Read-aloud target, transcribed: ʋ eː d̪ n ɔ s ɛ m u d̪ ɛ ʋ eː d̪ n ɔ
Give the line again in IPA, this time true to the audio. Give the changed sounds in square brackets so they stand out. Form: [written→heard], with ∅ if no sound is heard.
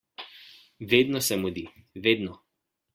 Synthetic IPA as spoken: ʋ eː d̪ n ɔ s ɛ m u d̪ [ɛ→i] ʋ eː d̪ n ɔ